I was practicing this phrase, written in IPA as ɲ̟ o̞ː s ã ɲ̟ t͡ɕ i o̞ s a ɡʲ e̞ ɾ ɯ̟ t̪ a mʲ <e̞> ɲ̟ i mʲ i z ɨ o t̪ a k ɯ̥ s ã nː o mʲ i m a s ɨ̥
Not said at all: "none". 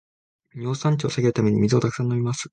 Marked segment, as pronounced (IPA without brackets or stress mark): e̞